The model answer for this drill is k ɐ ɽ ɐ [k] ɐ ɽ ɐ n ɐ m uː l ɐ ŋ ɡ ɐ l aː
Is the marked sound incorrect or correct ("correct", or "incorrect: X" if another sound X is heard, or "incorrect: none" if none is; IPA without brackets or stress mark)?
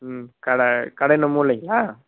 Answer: correct